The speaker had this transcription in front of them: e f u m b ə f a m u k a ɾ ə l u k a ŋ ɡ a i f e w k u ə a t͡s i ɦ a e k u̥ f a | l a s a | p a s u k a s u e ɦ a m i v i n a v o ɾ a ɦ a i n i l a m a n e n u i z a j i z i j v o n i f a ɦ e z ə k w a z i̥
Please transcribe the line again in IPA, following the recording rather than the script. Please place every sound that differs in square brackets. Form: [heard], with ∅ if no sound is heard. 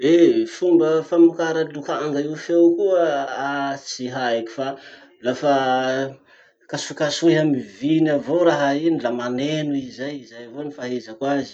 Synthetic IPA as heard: e f u m b ə f a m u k a ɾ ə l u k a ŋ ɡ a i f e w k u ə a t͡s i ɦ a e k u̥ f a | l a [f] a | [k] a s u k a s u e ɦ a m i v i n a v o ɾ a ɦ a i n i l a m a n e n u i z a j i z [a] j v o n i f a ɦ e z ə k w a z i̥